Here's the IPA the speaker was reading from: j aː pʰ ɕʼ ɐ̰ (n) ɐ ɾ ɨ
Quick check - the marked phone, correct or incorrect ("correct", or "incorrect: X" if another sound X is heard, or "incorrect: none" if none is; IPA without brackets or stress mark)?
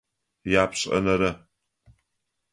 correct